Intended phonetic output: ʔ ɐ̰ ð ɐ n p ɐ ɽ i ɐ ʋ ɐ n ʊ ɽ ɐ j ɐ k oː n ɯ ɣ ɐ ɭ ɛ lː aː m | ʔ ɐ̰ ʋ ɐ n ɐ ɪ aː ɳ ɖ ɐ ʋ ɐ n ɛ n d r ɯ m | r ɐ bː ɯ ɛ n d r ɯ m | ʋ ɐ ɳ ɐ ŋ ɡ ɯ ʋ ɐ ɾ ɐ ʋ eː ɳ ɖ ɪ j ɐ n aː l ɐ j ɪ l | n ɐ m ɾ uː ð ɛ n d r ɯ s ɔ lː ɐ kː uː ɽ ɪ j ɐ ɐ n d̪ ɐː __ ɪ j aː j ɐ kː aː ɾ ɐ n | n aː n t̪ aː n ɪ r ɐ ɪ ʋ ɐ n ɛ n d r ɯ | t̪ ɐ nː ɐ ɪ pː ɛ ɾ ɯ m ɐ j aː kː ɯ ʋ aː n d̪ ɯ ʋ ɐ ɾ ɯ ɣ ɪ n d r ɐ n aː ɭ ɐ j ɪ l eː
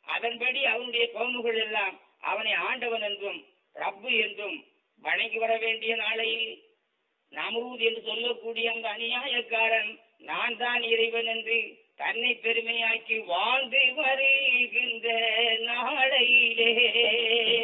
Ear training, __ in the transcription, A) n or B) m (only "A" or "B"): A